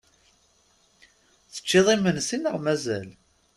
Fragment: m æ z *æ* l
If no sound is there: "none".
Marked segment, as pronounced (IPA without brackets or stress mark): æ